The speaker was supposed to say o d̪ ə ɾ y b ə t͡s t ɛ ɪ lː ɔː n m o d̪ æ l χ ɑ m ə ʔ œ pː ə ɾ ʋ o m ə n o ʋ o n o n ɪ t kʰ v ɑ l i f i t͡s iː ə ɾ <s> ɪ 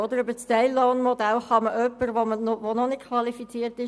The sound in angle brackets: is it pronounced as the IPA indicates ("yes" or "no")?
no